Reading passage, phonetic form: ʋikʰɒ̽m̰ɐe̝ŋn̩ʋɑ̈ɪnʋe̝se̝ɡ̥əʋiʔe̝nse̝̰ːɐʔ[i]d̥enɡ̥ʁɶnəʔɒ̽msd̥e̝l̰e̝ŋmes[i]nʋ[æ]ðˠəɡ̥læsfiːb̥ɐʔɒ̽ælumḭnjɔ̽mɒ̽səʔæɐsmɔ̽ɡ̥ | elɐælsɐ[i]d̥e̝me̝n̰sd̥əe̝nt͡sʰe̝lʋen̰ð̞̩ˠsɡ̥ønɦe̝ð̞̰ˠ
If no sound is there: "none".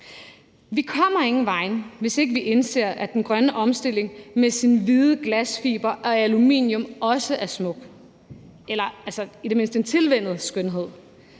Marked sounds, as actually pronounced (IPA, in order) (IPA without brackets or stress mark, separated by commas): æ, i, i, i